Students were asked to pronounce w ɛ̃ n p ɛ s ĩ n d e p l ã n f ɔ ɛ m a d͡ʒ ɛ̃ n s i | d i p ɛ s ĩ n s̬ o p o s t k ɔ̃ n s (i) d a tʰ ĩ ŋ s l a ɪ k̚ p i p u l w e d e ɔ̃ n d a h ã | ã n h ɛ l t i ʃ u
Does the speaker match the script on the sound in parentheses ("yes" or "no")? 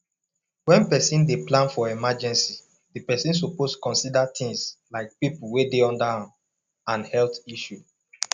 yes